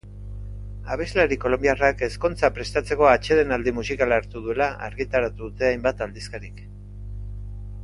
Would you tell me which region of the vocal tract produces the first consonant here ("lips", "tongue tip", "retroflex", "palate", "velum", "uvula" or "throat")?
lips